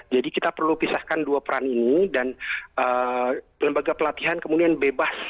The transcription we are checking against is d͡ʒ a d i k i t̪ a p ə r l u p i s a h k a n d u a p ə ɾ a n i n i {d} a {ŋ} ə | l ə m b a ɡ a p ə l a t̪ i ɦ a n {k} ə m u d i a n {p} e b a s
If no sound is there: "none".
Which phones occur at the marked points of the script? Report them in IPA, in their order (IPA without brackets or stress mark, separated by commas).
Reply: d, n, k, b